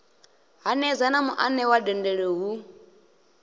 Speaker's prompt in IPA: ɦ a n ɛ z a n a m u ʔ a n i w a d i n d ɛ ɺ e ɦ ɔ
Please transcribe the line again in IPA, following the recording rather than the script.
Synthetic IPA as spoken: ɦ a n ɛ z a n a m u ʔ a n ɛ w a d ɛ n d ɛ ɺ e ɦ u